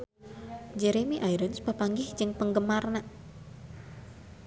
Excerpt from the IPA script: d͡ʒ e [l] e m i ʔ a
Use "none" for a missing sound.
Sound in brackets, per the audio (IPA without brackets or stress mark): ɾ